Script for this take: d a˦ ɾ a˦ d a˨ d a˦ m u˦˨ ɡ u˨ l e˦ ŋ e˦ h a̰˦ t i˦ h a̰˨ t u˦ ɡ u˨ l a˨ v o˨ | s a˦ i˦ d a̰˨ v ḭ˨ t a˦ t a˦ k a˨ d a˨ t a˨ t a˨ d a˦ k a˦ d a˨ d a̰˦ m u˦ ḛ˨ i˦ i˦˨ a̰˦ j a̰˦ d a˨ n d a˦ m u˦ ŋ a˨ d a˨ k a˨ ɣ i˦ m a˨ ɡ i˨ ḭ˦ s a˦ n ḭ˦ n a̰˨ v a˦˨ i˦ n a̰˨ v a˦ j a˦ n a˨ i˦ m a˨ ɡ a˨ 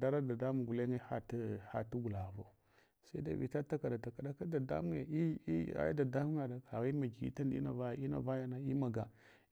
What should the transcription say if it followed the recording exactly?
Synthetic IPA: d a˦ ɾ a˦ d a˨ d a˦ m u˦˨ ɡ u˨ l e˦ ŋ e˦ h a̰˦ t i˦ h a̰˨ t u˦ ɡ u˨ l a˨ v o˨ | s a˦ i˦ d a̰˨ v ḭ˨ t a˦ t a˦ k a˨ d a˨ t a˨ k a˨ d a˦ k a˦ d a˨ d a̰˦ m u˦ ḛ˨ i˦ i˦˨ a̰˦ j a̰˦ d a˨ d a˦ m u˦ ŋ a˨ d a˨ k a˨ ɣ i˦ m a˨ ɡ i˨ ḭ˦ t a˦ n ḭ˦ n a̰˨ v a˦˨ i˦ n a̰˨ v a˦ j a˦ n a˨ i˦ m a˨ ɡ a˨